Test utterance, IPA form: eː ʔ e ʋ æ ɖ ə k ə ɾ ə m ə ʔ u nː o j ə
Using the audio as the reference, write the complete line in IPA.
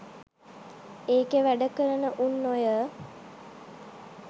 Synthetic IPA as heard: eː k e ʋ æ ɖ ə k ə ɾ ə n ə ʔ u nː o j ə